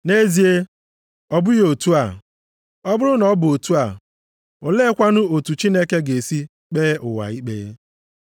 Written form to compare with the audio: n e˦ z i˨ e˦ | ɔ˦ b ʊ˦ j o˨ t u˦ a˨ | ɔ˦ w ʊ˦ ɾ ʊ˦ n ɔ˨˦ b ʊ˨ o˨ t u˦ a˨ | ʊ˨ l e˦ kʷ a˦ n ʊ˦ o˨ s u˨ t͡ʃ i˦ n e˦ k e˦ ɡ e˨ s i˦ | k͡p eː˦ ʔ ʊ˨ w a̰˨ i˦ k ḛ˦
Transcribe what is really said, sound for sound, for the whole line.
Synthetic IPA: n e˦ z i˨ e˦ | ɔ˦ b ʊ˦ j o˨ t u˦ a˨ | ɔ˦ b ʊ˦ ɾ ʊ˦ n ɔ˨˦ b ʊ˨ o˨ t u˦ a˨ | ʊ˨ l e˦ kʷ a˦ n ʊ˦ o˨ t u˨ t͡ʃ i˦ n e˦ k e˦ ɡ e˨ s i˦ | k͡p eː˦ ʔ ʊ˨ w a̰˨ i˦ k͡p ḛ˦